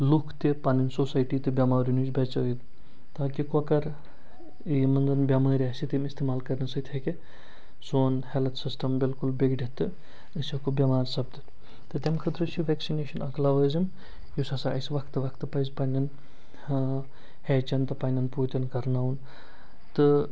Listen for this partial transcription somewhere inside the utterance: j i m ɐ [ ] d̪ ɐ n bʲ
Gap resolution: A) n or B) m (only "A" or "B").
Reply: A